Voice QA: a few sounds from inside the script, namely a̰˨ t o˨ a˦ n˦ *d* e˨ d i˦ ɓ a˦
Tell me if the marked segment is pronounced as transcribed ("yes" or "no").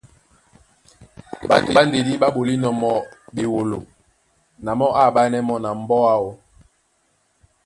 yes